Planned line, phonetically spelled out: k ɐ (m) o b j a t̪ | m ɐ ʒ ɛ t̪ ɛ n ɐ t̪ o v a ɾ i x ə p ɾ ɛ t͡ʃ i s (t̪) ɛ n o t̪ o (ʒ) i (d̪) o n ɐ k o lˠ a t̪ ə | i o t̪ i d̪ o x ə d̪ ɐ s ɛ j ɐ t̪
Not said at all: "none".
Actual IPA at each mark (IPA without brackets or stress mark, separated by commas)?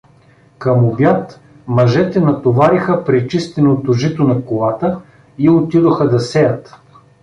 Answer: m, t̪, ʒ, t̪